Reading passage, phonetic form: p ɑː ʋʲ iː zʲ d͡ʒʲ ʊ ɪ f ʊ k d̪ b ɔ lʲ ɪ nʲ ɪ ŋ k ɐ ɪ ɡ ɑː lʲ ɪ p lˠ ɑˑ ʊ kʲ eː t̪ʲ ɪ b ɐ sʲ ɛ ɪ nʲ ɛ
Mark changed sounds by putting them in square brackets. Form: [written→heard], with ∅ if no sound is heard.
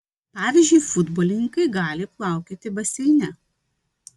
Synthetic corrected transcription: p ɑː ʋʲ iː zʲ d͡ʒʲ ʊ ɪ f ʊ [k→∅] d̪ b ɔ lʲ ɪ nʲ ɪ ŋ k ɐ ɪ ɡ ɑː lʲ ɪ p lˠ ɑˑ ʊ kʲ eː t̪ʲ ɪ b ɐ sʲ ɛ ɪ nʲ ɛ